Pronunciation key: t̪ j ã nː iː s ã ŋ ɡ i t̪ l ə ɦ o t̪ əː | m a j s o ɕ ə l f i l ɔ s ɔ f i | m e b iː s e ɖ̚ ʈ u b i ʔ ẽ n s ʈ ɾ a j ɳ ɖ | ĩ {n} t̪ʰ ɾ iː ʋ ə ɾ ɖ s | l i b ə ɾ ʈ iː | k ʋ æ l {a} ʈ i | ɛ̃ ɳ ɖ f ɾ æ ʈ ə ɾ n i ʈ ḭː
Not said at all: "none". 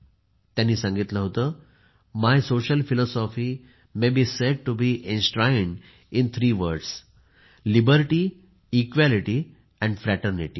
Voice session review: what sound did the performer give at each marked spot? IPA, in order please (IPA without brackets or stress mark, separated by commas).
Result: n, i